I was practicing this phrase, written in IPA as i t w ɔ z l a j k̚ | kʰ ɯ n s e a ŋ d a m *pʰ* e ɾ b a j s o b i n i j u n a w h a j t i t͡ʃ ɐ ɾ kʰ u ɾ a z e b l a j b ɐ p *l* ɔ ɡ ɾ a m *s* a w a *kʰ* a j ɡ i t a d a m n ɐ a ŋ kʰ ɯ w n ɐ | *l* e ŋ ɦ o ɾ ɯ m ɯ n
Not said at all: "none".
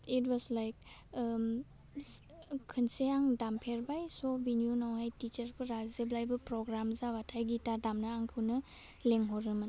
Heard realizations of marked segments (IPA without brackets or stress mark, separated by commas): pʰ, ɾ, z, tʰ, l